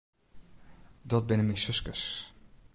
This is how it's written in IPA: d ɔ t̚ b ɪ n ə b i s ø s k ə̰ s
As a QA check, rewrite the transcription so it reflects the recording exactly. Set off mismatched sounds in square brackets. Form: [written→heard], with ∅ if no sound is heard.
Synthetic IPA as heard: d ɔ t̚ b ɪ n ə [b→m] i s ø s k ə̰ s